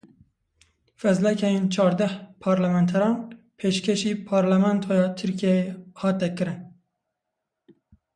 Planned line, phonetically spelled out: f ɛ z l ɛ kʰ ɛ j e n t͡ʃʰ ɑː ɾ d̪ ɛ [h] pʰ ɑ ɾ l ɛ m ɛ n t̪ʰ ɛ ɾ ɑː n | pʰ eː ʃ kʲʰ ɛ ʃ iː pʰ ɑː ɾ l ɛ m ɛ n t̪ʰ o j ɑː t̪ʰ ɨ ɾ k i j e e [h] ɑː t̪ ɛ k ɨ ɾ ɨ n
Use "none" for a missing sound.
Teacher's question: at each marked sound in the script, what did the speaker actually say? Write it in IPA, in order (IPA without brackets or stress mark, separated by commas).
h, h